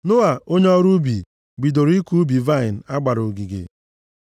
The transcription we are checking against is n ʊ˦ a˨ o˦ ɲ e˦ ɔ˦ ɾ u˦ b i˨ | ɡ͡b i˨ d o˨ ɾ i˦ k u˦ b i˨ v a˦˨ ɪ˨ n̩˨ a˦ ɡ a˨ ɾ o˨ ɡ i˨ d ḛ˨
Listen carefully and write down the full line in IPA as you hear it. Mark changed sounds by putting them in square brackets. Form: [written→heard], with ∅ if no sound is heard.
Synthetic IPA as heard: n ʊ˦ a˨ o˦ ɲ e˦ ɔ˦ ɾ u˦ b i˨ | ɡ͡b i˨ d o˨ ɾ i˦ k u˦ b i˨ v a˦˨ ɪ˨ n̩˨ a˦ [ɡ→ɡ͡b] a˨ ɾ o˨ ɡ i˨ [d→ɡ] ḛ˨